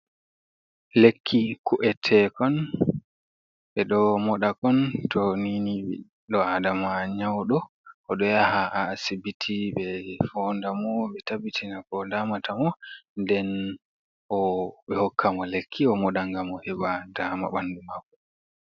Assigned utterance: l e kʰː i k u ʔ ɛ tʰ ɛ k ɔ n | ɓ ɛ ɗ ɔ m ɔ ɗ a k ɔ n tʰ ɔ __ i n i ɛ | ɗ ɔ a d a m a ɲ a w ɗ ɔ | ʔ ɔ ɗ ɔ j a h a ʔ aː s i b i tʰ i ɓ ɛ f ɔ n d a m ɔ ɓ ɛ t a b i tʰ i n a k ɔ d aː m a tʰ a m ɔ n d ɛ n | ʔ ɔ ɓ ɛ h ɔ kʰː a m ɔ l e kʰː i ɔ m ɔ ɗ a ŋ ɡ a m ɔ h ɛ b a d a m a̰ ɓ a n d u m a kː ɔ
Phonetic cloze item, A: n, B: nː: A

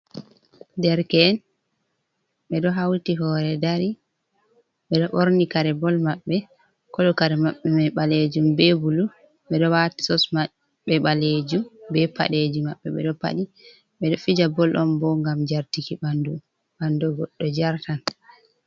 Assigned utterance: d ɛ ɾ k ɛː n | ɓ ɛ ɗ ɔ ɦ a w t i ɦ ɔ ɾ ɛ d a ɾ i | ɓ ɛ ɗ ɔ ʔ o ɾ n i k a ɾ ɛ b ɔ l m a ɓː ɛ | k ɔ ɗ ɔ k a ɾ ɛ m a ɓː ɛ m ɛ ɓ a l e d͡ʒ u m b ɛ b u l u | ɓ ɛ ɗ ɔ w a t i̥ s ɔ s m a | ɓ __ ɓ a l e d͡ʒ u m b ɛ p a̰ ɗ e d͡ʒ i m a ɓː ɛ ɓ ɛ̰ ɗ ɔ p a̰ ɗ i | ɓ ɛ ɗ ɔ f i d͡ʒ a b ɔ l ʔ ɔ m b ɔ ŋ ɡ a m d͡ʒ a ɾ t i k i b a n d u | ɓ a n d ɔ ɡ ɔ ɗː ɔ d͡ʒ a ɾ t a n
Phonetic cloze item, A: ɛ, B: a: A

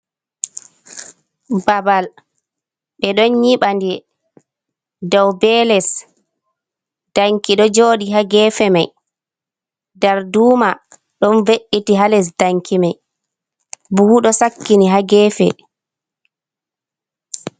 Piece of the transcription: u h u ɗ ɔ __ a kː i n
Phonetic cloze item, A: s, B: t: A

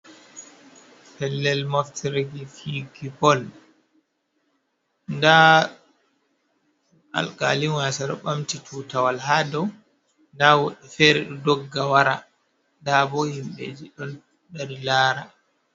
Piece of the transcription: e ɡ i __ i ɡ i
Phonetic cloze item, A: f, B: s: A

